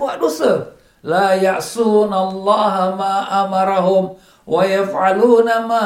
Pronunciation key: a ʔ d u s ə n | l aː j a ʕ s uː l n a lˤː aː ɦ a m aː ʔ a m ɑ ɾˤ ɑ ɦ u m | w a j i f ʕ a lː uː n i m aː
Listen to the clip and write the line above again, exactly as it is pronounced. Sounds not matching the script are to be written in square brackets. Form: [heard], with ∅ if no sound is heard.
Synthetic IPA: a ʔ d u s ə [∅] | l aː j a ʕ s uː [∅] n a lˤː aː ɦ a m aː ʔ a m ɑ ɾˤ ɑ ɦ [ʊ] m | w a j [a] f ʕ a [l] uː n [a] m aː